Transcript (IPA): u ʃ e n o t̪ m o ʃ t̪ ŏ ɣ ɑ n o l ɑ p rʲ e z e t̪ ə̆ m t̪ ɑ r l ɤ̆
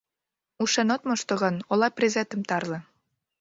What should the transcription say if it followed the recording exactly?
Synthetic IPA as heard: u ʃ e n o t̪ m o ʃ t̪ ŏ ɣ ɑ n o l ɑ p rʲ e z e t̪ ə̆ m t̪ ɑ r l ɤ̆

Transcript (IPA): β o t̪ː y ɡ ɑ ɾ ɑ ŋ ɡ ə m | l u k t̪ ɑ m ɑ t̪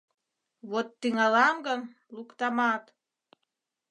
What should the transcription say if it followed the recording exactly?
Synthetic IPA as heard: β o t̪ː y ŋ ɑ l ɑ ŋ ɡ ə n | l u k t̪ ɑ m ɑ t̪

